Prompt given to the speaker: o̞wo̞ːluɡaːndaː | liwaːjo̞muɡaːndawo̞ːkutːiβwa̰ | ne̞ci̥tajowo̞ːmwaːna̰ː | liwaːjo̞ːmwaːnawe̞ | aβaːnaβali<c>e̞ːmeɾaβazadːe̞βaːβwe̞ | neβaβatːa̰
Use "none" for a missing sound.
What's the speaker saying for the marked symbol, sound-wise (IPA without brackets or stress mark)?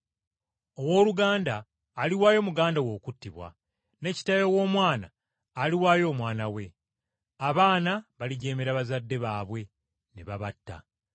ɟ